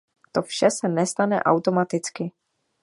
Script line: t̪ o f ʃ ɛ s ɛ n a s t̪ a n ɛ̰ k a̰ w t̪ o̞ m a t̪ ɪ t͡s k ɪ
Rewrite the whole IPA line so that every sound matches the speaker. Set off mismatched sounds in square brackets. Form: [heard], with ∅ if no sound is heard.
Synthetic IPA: t̪ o f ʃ ɛ s ɛ n [ɛ] s t̪ a n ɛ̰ [ʔ] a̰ w t̪ o̞ m a t̪ ɪ t͡s k ɪ